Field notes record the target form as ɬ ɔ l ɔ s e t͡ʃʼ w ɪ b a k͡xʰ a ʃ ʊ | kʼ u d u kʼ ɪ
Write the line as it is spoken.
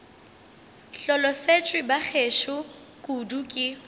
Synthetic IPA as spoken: ɬ ɔ l ɔ s e t͡ʃʼ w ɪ b a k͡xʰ e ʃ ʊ | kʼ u d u kʼ ɪ